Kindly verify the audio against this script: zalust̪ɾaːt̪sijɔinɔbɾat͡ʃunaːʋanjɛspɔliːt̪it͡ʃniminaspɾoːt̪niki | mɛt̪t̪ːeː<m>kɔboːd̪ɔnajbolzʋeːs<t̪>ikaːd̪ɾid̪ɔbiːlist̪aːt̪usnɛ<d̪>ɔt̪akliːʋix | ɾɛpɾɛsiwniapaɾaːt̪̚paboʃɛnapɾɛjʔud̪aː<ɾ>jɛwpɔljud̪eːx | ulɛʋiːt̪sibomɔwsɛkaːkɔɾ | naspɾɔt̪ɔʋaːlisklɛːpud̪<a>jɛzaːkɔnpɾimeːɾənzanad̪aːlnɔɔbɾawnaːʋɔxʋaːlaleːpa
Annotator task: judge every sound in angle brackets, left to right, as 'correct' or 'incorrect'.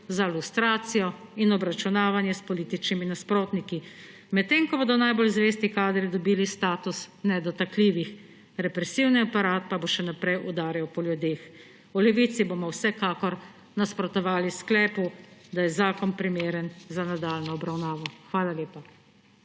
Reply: incorrect, correct, correct, correct, correct

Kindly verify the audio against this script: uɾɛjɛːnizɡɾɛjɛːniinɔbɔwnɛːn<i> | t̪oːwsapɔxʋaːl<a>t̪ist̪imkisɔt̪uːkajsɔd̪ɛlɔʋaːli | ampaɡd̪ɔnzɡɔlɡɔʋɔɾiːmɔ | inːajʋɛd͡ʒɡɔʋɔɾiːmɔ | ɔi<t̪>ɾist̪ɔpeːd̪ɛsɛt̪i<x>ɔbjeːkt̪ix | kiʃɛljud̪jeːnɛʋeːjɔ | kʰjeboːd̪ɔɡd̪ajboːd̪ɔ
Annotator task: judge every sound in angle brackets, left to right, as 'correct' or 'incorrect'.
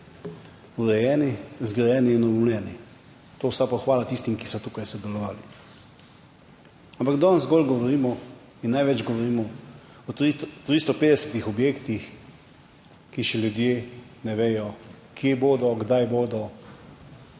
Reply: correct, correct, correct, correct

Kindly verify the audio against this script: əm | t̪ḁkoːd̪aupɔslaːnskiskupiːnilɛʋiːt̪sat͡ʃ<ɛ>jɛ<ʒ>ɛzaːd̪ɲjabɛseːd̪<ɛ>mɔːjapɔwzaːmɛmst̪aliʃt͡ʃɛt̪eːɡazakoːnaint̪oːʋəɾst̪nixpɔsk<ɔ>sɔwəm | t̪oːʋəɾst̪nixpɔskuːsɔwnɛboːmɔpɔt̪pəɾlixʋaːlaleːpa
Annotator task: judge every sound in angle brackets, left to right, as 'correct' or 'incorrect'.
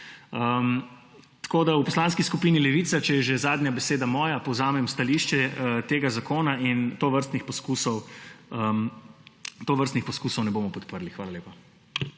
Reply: correct, correct, incorrect, incorrect

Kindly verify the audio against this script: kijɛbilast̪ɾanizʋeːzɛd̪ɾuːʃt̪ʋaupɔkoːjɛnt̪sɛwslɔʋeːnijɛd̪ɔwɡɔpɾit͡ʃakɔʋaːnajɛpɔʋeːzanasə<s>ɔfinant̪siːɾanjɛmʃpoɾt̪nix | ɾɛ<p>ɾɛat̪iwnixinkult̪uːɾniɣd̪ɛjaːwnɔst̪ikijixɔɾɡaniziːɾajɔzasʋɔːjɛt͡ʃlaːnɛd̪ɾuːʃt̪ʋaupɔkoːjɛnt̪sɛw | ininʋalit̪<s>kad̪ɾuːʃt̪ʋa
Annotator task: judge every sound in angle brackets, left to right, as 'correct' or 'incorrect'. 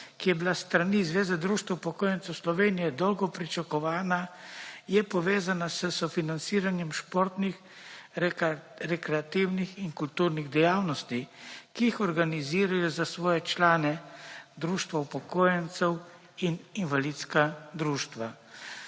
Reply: correct, incorrect, correct

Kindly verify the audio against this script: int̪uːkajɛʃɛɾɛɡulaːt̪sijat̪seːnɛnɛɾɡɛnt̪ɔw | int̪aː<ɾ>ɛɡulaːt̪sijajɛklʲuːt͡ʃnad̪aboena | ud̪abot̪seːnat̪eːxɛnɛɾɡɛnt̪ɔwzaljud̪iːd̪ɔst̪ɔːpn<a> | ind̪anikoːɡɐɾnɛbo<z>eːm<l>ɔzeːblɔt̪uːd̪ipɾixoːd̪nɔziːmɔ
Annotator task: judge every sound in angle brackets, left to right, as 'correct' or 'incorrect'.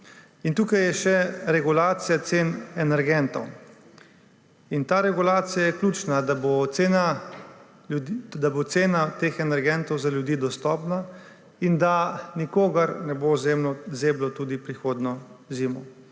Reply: correct, correct, correct, correct

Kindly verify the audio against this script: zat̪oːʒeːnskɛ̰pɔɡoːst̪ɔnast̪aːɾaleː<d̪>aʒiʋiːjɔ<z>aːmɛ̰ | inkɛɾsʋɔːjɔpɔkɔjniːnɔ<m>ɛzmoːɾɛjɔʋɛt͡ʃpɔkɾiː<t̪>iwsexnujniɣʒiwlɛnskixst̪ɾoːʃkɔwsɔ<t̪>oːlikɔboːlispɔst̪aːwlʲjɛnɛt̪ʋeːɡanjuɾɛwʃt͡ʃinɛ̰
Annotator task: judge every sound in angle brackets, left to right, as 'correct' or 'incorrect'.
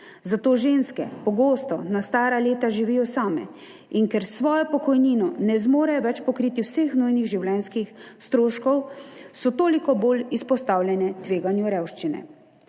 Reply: incorrect, incorrect, incorrect, correct, correct

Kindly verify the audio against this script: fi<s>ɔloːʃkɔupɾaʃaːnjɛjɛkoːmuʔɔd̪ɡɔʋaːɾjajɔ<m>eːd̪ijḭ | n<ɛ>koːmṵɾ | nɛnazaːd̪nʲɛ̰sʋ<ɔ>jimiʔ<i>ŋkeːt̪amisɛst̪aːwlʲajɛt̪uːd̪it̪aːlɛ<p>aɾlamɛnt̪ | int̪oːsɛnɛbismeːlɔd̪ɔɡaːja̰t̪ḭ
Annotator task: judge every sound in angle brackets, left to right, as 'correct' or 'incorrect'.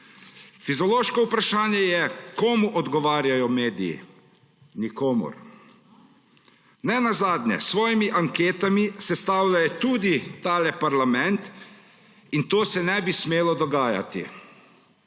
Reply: incorrect, correct, incorrect, incorrect, incorrect, correct

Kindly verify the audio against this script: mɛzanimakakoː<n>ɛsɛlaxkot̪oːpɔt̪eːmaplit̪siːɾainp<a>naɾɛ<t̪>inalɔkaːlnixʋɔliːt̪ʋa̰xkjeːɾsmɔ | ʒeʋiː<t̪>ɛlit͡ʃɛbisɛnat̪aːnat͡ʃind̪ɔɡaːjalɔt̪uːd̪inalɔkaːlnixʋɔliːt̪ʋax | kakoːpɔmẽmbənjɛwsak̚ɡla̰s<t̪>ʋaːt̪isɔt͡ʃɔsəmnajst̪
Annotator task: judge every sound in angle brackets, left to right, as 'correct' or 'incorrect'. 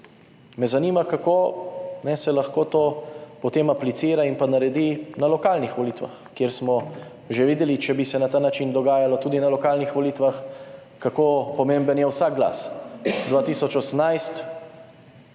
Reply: correct, correct, incorrect, incorrect, incorrect

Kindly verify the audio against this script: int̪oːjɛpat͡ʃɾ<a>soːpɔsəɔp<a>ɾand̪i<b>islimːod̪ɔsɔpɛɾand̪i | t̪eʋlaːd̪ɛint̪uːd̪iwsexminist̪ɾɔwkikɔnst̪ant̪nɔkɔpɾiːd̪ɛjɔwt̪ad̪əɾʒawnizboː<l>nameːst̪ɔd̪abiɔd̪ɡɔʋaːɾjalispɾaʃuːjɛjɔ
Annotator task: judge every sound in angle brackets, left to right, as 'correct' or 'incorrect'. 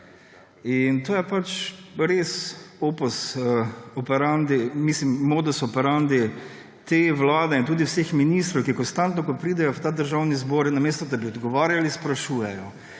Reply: incorrect, incorrect, incorrect, incorrect

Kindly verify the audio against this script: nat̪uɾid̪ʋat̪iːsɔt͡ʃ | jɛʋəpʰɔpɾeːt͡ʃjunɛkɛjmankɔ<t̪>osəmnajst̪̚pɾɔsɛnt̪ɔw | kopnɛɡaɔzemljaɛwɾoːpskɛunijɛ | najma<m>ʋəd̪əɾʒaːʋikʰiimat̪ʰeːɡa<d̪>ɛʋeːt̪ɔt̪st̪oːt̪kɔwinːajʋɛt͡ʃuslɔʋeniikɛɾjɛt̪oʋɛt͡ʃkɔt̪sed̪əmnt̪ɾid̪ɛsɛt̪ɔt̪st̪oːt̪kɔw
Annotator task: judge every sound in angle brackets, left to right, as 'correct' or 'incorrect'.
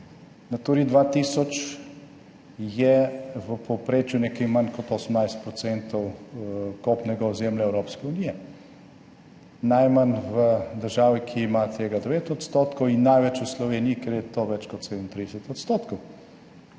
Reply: correct, incorrect, correct

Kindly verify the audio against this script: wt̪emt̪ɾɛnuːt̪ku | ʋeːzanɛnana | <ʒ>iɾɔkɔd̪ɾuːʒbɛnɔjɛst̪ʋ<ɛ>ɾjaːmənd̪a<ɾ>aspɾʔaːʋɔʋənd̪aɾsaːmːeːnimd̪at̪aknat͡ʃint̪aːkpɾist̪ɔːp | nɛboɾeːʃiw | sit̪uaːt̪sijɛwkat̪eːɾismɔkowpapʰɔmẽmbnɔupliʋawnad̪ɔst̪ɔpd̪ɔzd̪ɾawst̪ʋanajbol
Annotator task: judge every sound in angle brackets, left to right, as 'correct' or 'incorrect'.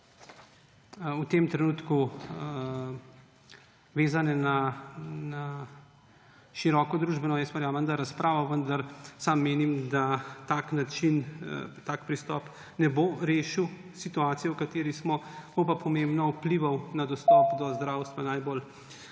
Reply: incorrect, correct, correct

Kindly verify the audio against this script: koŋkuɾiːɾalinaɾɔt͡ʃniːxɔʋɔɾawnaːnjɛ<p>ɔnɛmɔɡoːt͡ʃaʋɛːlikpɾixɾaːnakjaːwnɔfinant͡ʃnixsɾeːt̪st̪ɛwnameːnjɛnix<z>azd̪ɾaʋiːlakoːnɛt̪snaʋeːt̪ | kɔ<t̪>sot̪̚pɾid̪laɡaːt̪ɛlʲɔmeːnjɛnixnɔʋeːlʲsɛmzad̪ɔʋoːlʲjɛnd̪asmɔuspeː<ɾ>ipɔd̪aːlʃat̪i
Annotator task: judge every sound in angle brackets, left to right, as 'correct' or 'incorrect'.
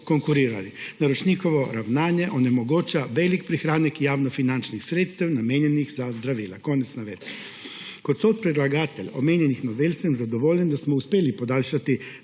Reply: incorrect, correct, correct, incorrect

